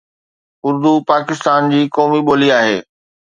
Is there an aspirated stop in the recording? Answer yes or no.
no